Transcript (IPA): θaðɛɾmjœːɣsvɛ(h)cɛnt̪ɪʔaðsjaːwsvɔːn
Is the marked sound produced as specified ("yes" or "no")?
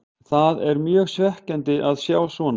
yes